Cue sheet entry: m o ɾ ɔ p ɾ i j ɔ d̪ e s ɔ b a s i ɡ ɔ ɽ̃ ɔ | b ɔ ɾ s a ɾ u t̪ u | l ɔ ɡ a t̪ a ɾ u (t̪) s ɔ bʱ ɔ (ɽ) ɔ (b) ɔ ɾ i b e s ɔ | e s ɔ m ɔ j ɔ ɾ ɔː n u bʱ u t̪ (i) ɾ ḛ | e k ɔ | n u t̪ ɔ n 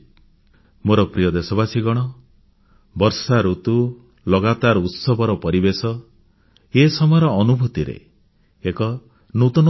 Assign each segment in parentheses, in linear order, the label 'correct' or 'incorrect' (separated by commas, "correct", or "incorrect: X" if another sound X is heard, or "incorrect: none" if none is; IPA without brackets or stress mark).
correct, incorrect: ɾ, incorrect: p, correct